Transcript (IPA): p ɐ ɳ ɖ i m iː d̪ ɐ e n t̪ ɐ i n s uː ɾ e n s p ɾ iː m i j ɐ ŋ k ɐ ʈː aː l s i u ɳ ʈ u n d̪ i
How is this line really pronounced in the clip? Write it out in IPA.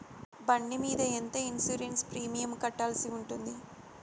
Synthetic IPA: b ɐ ɳ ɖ i m iː d̪ ɐ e n t̪ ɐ i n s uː ɾ e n s p ɾ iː m i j ɐ m k ɐ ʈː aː l s i u ɳ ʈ u n d̪ i